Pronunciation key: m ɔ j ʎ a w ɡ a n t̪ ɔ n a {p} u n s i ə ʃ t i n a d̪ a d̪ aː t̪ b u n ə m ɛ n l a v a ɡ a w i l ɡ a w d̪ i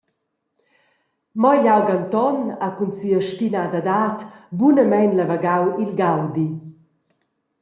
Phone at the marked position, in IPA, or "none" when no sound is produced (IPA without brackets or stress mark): k